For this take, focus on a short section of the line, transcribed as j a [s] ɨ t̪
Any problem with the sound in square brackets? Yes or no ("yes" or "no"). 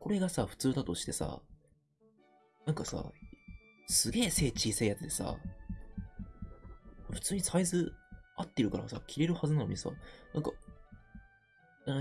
yes